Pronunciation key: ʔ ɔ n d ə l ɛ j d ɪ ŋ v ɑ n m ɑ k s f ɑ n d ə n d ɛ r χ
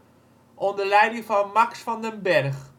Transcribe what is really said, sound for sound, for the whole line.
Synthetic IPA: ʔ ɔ n d ə l ɛ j d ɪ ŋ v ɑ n m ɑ k s f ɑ n d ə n b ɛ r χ